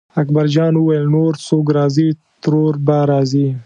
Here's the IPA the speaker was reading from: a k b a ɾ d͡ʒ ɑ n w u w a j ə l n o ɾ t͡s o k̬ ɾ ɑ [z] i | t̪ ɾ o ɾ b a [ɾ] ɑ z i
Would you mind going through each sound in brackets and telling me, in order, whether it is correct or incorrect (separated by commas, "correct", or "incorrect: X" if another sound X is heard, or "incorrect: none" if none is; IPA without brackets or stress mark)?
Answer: correct, correct